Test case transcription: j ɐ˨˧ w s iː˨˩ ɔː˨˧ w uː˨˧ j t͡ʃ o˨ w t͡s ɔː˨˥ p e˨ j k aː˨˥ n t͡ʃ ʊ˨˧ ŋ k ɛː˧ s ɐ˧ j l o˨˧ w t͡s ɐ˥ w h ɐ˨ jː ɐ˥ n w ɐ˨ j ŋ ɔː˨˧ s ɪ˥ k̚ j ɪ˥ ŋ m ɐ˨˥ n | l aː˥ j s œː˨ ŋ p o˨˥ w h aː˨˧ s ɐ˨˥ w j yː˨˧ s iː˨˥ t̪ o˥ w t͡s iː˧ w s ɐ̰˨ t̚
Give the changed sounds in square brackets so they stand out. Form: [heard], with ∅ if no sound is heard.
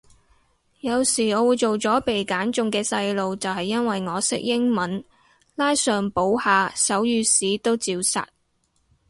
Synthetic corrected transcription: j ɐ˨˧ w s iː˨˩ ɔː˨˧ w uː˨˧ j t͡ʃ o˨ w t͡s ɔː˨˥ p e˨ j k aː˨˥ n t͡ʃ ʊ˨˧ ŋ k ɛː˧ s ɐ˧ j l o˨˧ w t͡s [ɐ˨] w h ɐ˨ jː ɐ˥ n w ɐ˨ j ŋ ɔː˨˧ s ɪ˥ k̚ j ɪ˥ ŋ m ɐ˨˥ n | l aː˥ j s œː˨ ŋ p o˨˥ w h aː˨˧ s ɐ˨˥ w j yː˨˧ s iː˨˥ t̪ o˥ w t͡s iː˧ w s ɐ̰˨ t̚